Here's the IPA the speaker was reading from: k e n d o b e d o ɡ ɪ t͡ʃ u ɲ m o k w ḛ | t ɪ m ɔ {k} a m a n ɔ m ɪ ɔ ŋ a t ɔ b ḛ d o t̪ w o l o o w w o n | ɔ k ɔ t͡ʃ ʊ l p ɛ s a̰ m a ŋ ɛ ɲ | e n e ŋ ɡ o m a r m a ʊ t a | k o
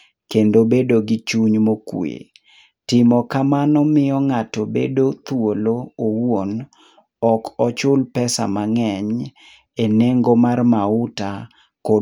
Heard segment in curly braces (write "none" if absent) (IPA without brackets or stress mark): k